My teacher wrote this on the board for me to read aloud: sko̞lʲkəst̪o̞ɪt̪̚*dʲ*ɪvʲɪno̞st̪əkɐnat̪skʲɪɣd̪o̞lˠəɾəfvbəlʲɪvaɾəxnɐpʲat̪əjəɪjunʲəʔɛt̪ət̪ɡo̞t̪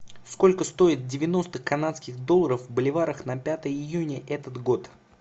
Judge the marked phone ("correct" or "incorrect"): correct